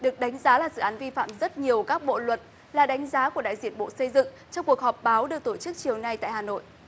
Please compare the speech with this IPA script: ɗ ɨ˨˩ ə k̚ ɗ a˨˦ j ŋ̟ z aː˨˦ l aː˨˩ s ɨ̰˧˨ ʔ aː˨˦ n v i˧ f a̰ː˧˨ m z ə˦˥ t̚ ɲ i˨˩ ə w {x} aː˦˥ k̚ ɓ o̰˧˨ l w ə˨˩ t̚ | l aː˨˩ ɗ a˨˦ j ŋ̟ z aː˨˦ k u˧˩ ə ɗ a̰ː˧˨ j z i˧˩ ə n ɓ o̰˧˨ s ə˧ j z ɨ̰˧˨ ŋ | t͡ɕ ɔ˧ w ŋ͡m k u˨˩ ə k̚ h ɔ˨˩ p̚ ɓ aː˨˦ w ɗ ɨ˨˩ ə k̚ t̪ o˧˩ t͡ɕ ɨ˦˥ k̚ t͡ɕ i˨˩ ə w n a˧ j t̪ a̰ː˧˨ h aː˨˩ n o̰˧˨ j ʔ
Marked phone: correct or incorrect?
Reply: incorrect